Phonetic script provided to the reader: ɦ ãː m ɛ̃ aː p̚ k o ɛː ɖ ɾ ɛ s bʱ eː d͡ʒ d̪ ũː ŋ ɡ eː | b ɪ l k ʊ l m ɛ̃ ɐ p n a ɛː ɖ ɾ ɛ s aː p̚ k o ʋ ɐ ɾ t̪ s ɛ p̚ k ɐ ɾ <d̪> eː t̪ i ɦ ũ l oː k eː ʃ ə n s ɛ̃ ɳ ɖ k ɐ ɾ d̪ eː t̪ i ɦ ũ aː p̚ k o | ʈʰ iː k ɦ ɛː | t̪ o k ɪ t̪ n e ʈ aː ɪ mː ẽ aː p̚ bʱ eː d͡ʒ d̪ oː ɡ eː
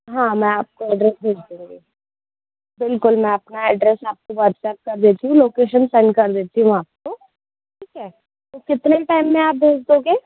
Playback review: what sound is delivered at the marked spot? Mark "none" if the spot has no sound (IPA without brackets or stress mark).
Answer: d̪